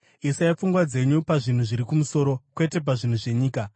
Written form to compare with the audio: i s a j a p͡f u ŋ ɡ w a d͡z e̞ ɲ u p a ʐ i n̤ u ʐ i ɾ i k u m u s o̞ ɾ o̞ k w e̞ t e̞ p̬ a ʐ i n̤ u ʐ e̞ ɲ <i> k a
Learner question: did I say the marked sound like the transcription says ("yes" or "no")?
no